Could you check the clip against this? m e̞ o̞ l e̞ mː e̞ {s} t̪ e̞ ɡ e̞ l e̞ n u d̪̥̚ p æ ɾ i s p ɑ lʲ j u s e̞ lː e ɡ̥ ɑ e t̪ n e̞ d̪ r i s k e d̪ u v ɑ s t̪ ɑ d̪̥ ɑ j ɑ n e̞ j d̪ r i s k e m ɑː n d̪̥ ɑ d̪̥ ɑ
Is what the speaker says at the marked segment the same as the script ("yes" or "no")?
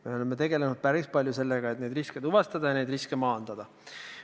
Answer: no